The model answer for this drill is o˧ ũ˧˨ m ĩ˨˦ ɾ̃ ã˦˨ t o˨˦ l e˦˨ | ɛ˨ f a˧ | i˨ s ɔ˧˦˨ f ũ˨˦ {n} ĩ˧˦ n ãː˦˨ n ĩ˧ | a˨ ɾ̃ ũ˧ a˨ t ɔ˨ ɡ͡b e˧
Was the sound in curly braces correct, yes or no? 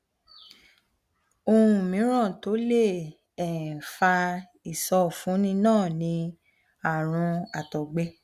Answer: yes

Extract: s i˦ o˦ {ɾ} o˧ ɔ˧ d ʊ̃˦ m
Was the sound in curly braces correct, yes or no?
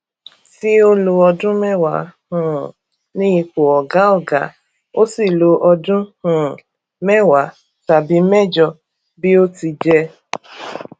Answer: no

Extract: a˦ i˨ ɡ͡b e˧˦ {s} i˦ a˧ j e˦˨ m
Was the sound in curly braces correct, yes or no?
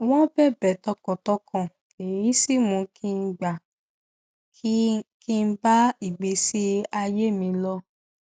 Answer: yes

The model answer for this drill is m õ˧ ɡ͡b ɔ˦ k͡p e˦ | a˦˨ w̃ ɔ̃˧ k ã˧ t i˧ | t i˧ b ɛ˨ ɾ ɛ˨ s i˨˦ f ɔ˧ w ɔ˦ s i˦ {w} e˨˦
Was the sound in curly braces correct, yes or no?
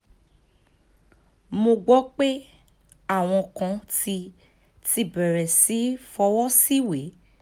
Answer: yes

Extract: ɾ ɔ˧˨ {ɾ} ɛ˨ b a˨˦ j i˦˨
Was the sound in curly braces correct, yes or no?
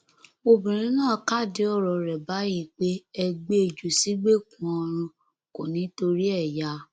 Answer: yes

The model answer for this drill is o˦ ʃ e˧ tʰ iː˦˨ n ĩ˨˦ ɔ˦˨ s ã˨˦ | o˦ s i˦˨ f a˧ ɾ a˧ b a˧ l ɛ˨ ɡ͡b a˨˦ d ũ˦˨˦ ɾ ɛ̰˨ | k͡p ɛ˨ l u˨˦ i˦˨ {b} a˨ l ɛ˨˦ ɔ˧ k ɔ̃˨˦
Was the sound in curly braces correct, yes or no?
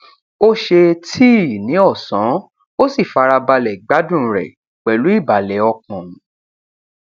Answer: yes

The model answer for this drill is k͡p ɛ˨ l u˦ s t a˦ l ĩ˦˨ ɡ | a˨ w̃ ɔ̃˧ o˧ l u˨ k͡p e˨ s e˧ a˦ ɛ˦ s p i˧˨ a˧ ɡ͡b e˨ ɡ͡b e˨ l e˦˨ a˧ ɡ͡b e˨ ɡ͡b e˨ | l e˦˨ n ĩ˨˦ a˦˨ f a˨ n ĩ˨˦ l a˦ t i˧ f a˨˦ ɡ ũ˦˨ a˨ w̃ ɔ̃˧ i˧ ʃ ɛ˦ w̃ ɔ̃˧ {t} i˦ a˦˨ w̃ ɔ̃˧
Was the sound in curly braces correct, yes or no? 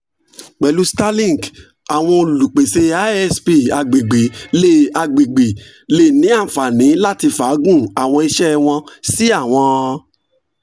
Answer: no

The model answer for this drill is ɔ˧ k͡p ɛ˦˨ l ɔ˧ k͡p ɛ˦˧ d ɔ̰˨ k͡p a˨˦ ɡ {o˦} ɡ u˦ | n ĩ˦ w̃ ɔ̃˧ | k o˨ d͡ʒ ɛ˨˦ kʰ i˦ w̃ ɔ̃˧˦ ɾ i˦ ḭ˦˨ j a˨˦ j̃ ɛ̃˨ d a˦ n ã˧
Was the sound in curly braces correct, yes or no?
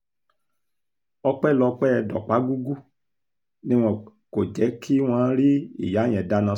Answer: no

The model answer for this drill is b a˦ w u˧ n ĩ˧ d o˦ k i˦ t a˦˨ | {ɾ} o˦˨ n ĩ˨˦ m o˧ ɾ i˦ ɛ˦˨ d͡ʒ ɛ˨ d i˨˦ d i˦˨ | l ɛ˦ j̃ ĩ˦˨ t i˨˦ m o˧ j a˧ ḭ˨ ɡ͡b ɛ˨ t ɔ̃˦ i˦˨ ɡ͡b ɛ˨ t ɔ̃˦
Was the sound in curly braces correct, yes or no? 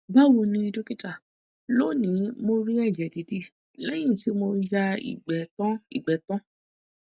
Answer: no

